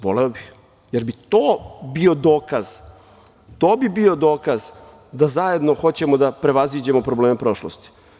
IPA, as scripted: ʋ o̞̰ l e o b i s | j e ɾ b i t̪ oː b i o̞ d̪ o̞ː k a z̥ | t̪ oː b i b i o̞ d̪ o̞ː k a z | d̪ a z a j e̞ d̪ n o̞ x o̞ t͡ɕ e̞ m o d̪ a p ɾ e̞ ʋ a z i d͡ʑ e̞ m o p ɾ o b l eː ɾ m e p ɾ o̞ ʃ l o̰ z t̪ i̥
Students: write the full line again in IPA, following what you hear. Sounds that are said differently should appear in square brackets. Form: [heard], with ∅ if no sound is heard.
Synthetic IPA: ʋ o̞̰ l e o b i [x] | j e ɾ b i t̪ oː b i o̞ d̪ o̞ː k a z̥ | t̪ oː b i b i o̞ d̪ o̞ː k a z | d̪ a z a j e̞ d̪ n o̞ x o̞ t͡ɕ e̞ m o d̪ a p ɾ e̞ ʋ a z i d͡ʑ e̞ m o p ɾ o b l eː [∅] m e p ɾ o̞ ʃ l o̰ [s] t̪ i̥